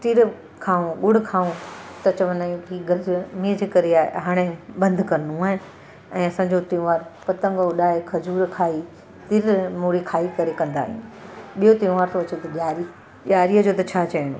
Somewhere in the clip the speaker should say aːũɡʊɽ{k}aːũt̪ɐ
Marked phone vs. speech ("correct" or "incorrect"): incorrect